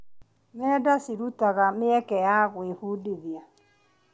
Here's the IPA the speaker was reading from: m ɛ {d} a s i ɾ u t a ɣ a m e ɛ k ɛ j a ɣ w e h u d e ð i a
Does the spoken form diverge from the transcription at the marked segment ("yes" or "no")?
no